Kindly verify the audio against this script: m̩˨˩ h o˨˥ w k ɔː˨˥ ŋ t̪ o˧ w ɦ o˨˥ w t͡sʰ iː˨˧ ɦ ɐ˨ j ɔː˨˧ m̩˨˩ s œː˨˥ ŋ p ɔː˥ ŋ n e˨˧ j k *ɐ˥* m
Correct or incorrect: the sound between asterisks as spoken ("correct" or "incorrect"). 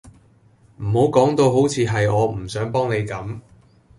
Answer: incorrect